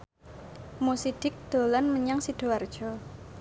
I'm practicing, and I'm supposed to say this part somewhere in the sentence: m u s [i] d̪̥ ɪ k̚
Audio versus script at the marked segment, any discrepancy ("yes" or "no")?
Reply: no